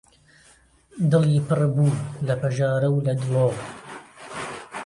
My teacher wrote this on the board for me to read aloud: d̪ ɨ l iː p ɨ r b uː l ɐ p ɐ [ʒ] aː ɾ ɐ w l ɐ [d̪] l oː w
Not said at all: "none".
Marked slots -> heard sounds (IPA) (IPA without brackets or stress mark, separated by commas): ʒ, d̪